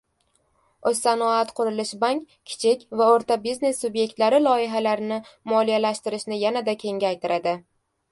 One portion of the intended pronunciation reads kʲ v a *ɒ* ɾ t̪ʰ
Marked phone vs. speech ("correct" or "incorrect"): incorrect